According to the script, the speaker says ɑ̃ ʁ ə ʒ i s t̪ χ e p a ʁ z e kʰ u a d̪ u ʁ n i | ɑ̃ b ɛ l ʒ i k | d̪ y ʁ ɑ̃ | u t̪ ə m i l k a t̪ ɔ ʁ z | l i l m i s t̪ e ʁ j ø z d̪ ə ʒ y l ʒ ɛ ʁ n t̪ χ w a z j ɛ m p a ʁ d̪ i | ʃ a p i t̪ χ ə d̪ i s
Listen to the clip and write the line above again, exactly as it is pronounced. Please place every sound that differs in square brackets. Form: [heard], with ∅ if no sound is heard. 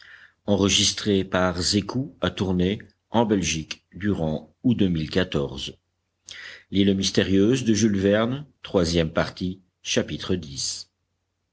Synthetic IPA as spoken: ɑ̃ ʁ ə ʒ i s t̪ χ e p a ʁ z e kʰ u a [t̪] u ʁ n [e] | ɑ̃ b ɛ l ʒ i k | d̪ y ʁ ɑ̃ | u [d̪] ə m i l k a t̪ ɔ ʁ z | l i l m i s t̪ e ʁ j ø z d̪ ə ʒ y l [v] ɛ ʁ n t̪ χ w a z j ɛ m p a ʁ [t̪] i | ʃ a p i t̪ χ ə d̪ i s